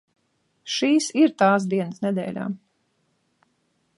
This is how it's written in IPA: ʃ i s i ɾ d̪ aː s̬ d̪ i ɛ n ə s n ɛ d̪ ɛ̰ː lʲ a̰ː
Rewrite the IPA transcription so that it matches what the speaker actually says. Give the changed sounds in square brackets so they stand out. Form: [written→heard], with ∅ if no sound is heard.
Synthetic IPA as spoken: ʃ [i→iː] s i ɾ [d̪→t̪] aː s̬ d̪ i ɛ n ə s n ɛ d̪ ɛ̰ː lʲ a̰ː

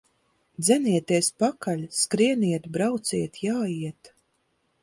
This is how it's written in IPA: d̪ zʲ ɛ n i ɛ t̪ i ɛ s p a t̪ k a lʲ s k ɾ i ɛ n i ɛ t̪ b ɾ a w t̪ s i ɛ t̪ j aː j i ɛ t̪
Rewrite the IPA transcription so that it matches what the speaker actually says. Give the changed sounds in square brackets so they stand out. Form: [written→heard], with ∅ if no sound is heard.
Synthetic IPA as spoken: d̪ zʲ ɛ n i ɛ t̪ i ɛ s p a [t̪→∅] k a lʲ s k ɾ i ɛ n i ɛ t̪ b ɾ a w t̪ s i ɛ t̪ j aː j i ɛ t̪

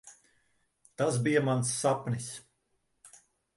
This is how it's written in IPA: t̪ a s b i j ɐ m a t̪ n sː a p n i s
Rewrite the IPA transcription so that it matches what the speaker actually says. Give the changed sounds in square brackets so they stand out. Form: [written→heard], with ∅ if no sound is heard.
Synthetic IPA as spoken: t̪ a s b i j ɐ m a [t̪→∅] n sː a p n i s

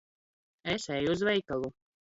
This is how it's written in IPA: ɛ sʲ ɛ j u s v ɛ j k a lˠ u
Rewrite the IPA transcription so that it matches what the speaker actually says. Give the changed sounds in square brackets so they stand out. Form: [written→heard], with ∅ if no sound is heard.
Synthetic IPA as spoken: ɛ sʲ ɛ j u [s→z] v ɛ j k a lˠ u

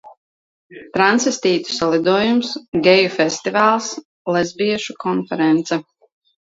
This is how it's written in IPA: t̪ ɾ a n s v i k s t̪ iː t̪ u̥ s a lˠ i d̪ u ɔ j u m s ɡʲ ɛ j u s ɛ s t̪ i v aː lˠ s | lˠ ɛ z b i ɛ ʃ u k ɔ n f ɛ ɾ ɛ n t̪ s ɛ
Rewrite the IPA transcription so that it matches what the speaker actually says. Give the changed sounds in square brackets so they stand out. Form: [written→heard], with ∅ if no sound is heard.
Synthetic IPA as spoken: t̪ ɾ a n s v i [k→∅] s t̪ iː t̪ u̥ s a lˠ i d̪ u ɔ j u m s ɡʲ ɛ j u [s→f] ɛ s t̪ i v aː lˠ s | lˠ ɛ z b i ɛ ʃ u k ɔ n f ɛ ɾ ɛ n t̪ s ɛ

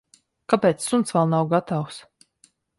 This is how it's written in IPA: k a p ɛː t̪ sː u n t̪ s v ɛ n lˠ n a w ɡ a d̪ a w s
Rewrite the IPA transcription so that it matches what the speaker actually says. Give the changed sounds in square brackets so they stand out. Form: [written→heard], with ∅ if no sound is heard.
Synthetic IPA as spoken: k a p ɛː t̪ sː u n t̪ s v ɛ [n→∅] lˠ n a w ɡ a [d̪→t̪] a w s

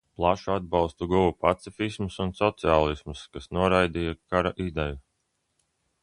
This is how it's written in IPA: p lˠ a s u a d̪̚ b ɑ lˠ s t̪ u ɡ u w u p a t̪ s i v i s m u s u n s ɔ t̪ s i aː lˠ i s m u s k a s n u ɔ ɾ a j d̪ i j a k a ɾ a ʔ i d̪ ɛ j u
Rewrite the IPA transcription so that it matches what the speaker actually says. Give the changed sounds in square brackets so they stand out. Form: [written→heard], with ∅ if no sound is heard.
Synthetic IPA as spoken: p lˠ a [s→ʃ] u a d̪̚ b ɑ lˠ s t̪ u ɡ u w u p a t̪ s i [v→f] i s m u s u n s ɔ t̪ s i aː lˠ i s m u s k a s n u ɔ ɾ a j d̪ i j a k a ɾ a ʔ i d̪ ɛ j u

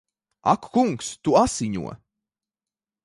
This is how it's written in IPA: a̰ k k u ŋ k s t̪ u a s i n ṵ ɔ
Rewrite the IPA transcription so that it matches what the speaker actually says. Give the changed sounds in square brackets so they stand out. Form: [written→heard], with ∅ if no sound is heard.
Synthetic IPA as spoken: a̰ k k u ŋ k s t̪ u a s i [n→ɲ] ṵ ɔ

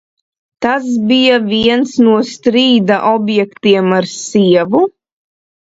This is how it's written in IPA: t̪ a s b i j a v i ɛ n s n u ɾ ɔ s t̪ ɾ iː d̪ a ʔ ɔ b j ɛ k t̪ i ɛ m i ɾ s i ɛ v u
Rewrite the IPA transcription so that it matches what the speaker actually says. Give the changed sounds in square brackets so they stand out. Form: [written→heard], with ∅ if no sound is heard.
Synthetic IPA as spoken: t̪ a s b i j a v i ɛ n s n u [ɾ→∅] ɔ s t̪ ɾ iː d̪ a ʔ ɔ b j ɛ k t̪ i ɛ m [i→a] ɾ s i ɛ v u

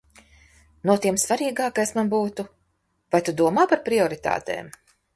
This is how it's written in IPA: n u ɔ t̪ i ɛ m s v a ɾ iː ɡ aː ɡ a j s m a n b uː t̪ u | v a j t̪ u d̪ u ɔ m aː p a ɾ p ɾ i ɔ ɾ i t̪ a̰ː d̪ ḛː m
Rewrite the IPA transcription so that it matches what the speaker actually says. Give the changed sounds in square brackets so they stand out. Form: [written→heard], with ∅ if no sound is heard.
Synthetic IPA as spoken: n u ɔ t̪ i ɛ m s v a ɾ iː ɡ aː [ɡ→k] a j s m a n b uː t̪ u | v a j t̪ u d̪ u ɔ m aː p a ɾ p ɾ i ɔ ɾ i t̪ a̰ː [d̪→t̪] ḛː m

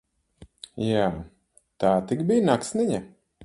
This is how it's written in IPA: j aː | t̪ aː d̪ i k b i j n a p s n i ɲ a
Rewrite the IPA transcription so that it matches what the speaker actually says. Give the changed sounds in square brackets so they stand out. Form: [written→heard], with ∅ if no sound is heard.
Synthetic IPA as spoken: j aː | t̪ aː [d̪→t̪] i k b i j n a [p→k] s n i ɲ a

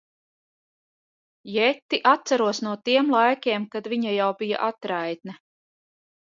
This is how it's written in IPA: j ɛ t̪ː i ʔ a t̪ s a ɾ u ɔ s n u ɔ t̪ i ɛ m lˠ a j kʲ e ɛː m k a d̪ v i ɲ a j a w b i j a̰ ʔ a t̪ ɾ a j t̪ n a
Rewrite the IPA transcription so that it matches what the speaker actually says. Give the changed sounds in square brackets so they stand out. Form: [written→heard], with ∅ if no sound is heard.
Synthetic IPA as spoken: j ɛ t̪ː i ʔ a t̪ s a ɾ u ɔ s n u ɔ t̪ i ɛ m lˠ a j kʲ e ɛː m k a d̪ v i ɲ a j a w b i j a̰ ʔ a t̪ ɾ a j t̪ n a

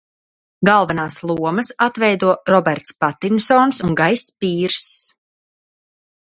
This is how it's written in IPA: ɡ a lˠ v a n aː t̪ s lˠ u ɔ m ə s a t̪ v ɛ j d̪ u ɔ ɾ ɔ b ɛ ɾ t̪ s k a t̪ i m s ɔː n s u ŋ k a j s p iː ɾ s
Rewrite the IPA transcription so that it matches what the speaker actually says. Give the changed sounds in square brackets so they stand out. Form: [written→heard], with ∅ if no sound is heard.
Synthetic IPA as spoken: ɡ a lˠ v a n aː [t̪→∅] s lˠ u ɔ m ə s a t̪ v ɛ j d̪ u ɔ ɾ ɔ b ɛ ɾ t̪ s [k→p] a t̪ i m s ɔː n s u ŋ [k→ɡ] a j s p iː ɾ s

